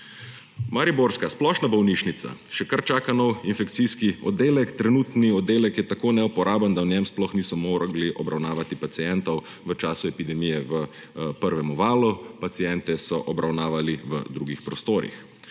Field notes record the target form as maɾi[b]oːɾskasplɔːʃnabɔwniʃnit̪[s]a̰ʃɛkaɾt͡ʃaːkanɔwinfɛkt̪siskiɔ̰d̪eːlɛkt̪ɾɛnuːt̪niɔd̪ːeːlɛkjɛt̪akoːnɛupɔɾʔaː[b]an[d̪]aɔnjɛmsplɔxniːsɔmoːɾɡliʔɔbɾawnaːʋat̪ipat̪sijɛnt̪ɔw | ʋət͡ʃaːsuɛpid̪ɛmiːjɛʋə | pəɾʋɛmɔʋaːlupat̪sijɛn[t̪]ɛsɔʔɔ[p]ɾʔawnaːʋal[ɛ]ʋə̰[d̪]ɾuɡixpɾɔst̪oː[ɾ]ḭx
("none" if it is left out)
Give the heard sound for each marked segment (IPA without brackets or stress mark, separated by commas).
b, s, b, d̪, t̪, b, i, d̪, ɾ